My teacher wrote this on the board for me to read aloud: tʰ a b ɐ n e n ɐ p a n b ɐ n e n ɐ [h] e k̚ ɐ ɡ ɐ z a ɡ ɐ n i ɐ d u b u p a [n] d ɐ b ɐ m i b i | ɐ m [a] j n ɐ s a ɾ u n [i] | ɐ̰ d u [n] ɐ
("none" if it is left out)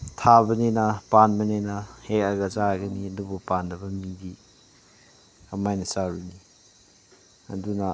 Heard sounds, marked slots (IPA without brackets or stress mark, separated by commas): h, n, a, i, n